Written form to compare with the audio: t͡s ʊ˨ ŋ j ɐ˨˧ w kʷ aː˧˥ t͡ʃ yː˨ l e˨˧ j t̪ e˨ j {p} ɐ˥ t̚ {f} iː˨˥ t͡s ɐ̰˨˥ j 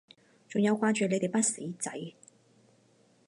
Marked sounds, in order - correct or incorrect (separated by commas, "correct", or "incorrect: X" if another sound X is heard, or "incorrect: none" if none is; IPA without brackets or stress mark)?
correct, incorrect: s